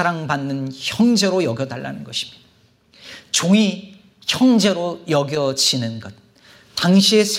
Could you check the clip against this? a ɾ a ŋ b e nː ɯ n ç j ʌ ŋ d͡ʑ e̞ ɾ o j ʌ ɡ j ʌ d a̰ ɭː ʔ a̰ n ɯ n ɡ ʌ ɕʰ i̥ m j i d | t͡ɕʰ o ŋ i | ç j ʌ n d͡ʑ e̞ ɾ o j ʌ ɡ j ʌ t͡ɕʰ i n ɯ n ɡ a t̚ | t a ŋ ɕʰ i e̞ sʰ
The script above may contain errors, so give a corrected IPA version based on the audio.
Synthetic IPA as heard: a ɾ a ŋ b a nː ɯ n ç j ʌ ŋ d͡ʑ e̞ ɾ o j ʌ ɡ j ʌ d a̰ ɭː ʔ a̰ n ɯ n ɡ ʌ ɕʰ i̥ m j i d | t͡ɕ o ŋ i | ç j ʌ ŋ d͡ʑ e̞ ɾ o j ʌ ɡ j ʌ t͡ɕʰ i n ɯ n ɡ ʌ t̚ | t a ŋ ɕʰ i e̞ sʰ